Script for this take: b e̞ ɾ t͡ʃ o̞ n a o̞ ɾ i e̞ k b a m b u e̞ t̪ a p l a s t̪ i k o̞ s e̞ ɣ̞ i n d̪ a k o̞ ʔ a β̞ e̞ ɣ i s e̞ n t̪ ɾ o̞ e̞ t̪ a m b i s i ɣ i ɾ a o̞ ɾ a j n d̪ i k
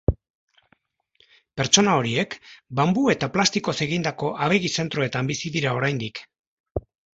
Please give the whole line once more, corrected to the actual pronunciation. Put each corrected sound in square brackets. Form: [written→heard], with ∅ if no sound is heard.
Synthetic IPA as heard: [b→p] e̞ ɾ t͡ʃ o̞ n a o̞ ɾ i e̞ k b a m b u e̞ t̪ a p l a s t̪ i k o̞ s e̞ ɣ̞ i n d̪ a k o̞ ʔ a β̞ e̞ ɣ i s e̞ n t̪ ɾ o̞ e̞ t̪ a m b i s i [ɣ→ð] i ɾ a o̞ ɾ a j n d̪ i k